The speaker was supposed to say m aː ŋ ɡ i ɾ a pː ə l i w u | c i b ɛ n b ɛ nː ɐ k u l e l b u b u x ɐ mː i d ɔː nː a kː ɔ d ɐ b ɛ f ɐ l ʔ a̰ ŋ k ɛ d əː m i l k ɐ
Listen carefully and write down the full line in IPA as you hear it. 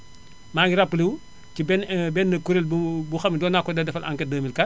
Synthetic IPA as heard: m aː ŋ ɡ i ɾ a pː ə l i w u | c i b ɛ n b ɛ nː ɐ k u ɾ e l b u b u x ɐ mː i d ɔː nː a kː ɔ d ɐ d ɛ f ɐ l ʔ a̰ ŋ k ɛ d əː m i l k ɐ